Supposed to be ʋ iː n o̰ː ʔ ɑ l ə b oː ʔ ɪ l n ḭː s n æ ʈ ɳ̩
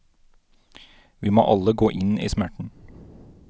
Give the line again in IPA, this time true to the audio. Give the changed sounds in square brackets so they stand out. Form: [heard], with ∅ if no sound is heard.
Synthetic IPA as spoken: ʋ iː [m] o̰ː ʔ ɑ l ə [ɡ] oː ʔ ɪ [∅] n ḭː s [m] æ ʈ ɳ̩